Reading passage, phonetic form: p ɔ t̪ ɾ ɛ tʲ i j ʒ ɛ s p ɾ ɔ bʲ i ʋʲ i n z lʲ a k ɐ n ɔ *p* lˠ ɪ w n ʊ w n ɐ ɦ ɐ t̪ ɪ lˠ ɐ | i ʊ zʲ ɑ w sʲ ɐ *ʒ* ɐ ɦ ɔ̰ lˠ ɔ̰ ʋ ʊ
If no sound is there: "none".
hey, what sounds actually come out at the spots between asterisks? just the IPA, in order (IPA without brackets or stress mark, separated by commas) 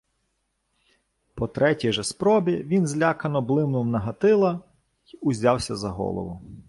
b, z